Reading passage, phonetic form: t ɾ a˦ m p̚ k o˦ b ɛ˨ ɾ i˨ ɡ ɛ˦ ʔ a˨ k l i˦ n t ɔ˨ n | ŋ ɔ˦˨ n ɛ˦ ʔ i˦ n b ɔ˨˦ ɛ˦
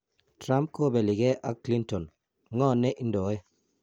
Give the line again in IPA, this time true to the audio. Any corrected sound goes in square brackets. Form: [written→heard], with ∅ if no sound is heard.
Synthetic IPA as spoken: t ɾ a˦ m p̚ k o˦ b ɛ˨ [ɾ→l] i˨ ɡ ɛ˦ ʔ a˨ k l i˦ n t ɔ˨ n | ŋ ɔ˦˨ n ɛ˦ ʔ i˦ n [b→d] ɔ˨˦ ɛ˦